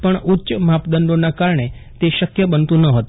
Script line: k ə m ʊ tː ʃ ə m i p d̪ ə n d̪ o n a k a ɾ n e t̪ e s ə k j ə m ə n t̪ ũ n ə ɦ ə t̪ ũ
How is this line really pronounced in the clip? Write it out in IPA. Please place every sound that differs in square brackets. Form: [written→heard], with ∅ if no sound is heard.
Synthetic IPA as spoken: [k→p] ə [m→ɳ] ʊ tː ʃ ə m [i→a] p d̪ ə n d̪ o n a k a ɾ [n→ɳ] e t̪ e [s→ʃ] ə k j ə [m→b] ə n t̪ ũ n ə ɦ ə t̪ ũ